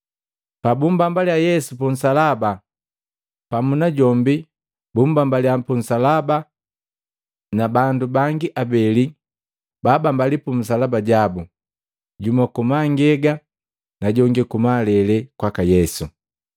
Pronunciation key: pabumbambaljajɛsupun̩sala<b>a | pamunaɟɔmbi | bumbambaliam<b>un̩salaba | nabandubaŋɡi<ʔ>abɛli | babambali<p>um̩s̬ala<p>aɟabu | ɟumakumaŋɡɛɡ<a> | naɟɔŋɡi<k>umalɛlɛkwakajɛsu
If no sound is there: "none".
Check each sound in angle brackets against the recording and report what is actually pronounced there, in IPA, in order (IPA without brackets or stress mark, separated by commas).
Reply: b, p, ʔ, p, b, a, k